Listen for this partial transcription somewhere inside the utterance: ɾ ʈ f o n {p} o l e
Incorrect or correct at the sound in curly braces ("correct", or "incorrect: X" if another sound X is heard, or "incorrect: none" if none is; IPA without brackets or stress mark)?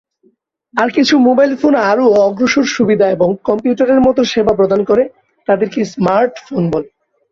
incorrect: b